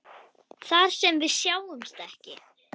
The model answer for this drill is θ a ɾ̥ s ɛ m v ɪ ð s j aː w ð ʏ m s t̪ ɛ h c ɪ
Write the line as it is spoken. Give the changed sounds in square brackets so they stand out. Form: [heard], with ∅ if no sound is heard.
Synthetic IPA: θ a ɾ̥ s ɛ m v ɪ ð s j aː w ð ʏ m s t̪ ɛ h c ɪ

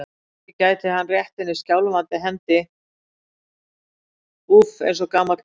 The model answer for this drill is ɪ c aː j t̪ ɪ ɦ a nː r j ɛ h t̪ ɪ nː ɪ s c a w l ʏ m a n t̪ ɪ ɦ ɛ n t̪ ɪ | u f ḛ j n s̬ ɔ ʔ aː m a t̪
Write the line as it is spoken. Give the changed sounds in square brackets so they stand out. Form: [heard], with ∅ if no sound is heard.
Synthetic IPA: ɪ c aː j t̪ ɪ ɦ a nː r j ɛ h t̪ ɪ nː ɪ s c a w l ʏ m a n t̪ ɪ ɦ ɛ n t̪ ɪ | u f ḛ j n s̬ ɔ [k] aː m a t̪

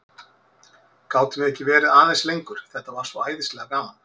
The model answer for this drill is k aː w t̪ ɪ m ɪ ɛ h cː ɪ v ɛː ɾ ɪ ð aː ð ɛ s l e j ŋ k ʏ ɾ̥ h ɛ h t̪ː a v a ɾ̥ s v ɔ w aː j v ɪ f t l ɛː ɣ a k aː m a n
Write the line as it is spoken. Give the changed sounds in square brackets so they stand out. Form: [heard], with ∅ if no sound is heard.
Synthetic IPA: k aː w t̪ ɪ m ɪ ɛ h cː ɪ v ɛː ɾ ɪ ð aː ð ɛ s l e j ŋ k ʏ ɾ̥ [θ] ɛ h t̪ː a v a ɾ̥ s v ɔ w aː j [ð] ɪ [s] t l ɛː ɣ a k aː m a n

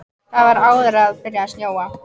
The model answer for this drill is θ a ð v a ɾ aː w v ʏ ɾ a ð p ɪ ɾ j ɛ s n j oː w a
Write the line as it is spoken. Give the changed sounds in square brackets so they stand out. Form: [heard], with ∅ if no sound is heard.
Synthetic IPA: θ a ð v a ɾ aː w [ð] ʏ ɾ a ð p ɪ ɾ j [a] s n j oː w a

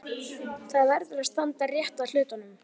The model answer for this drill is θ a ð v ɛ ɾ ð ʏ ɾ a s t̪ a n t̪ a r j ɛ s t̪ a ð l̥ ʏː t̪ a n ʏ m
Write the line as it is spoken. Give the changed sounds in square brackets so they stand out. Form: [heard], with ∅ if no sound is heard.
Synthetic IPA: θ a ð v ɛ ɾ ð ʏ ɾ a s t̪ a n t̪ a r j ɛ [h] t̪ a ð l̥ ʏː t̪ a n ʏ m

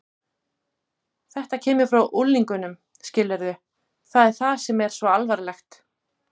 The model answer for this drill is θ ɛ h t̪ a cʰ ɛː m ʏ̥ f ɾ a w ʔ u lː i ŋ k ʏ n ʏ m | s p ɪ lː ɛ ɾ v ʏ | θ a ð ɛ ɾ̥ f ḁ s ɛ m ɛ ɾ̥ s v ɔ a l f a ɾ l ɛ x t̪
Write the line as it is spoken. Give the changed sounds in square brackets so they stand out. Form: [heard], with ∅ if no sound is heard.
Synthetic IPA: θ ɛ h t̪ a cʰ ɛː m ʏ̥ f ɾ a w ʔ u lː i ŋ k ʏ n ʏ m | s [c] ɪ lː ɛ ɾ [ð] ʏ | θ a ð ɛ ɾ̥ [θ] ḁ s ɛ m ɛ ɾ̥ s v ɔ a l [v] a ɾ l ɛ x t̪

